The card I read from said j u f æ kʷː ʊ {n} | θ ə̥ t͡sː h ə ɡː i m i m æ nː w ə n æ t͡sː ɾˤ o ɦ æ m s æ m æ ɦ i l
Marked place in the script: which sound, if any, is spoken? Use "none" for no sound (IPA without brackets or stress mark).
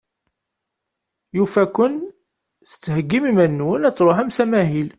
n